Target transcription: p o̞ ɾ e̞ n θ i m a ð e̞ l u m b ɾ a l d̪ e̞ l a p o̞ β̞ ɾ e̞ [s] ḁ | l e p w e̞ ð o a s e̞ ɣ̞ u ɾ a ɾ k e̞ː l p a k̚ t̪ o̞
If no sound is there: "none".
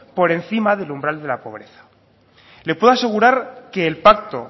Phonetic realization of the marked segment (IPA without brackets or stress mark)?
θ